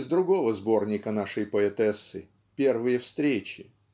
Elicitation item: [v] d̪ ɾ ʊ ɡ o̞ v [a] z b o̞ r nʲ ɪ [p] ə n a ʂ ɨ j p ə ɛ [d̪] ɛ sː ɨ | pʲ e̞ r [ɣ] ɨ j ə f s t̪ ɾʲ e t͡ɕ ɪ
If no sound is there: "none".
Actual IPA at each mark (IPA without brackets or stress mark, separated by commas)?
z, ə, k, t̪, v